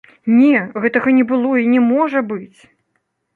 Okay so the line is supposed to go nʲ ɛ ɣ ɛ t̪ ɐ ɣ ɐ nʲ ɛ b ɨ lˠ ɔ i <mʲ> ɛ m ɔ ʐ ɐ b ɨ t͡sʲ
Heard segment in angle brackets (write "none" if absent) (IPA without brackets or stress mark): nʲ